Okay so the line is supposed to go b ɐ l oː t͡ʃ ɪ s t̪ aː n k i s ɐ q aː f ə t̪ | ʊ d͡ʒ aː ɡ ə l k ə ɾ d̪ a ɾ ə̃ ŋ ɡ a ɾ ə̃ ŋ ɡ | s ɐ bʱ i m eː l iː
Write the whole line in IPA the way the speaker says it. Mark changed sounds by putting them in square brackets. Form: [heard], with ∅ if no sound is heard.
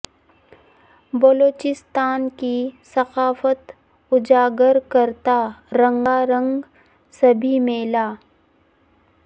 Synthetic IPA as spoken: b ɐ l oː t͡ʃ ɪ s t̪ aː n k i s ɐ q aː f ə t̪ | ʊ d͡ʒ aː ɡ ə [ɾ] k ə ɾ [t̪] a ɾ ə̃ ŋ ɡ a ɾ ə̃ ŋ ɡ | s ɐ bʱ i m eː l [aː]